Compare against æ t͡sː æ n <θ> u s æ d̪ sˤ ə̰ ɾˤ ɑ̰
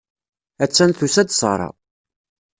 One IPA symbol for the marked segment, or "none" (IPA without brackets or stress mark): θ